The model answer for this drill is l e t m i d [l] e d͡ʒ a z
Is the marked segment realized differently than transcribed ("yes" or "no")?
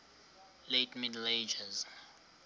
no